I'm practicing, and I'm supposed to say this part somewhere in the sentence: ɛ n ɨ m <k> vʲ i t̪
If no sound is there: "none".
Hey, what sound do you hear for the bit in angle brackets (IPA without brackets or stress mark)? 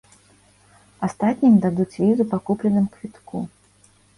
k